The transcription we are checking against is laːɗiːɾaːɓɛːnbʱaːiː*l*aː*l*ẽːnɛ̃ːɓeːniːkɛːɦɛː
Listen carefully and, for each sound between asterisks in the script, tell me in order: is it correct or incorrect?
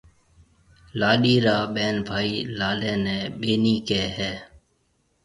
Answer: correct, correct

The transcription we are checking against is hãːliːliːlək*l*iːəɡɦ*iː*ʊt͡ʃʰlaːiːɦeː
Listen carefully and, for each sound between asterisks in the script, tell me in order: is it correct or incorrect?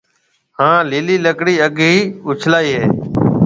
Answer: incorrect, correct

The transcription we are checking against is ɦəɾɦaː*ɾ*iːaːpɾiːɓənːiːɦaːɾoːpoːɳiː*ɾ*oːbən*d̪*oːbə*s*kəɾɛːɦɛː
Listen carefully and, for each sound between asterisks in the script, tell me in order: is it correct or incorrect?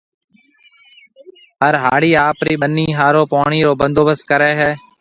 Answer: incorrect, correct, correct, correct

